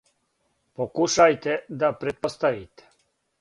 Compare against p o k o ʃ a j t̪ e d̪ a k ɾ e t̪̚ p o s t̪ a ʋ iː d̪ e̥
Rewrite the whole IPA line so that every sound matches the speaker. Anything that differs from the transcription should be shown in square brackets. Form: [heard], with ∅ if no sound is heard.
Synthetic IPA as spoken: p o k [u] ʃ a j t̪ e d̪ a [p] ɾ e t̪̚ p o s t̪ a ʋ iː [t̪] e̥